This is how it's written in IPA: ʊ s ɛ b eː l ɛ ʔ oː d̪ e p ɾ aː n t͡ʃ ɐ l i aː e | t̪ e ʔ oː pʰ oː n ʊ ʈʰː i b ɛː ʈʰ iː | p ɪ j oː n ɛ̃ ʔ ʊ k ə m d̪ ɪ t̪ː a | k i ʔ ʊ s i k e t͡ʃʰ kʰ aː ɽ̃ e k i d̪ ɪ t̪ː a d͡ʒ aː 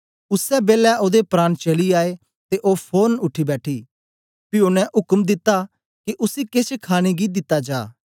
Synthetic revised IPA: ʊ s ɛ b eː l ɛ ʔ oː d̪ e p ɾ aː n t͡ʃ ɐ l i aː e | t̪ e ʔ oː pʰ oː n ʊ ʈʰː i b ɛː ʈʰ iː | p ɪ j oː n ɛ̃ ʔ ʊ k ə m d̪ ɪ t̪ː a | k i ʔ ʊ s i k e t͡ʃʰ kʰ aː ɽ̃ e ɡ i d̪ ɪ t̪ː a d͡ʒ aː